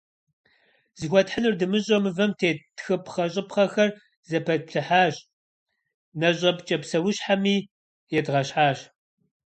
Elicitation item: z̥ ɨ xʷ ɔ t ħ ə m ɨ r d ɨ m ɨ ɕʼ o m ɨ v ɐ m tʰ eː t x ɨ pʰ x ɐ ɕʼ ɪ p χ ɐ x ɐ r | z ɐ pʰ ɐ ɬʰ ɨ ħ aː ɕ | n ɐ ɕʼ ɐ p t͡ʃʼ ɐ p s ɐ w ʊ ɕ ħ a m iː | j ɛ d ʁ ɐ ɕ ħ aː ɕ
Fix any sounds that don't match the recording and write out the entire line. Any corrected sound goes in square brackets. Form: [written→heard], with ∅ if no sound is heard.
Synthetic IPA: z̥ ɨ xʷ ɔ t ħ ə [m→n] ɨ r d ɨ m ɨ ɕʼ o m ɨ v ɐ m tʰ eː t x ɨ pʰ [x→χ] ɐ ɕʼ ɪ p χ ɐ x ɐ r | z ɐ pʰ ɐ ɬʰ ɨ ħ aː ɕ | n ɐ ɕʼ ɐ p t͡ʃʼ ɐ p s ɐ w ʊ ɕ ħ a m iː | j ɛ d ʁ ɐ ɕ ħ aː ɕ